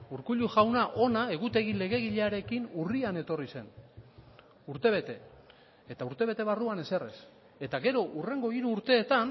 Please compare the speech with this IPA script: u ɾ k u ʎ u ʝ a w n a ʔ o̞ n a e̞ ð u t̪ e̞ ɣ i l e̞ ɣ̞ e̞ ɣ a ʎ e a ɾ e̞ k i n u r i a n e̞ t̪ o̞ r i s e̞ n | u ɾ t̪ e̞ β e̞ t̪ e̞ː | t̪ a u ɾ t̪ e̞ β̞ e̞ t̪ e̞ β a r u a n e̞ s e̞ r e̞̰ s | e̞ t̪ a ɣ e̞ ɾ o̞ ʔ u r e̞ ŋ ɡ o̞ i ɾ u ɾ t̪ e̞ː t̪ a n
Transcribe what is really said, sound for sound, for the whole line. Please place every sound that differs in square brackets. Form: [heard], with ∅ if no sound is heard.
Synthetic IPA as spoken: u ɾ k u ʎ u ʝ a w n a ʔ o̞ n a e̞ [ɣ] u t̪ e̞ ɣ i l e̞ ɣ̞ e̞ ɣ [i] ʎ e a ɾ e̞ k i n u r i a n e̞ t̪ o̞ r i s e̞ n | u ɾ t̪ e̞ β e̞ t̪ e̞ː | t̪ a u ɾ t̪ e̞ β̞ e̞ t̪ e̞ β a r u a n e̞ s e̞ r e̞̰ s | e̞ t̪ a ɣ e̞ ɾ o̞ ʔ u r e̞ ŋ ɡ o̞ i ɾ [uː] ɾ t̪ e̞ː t̪ a n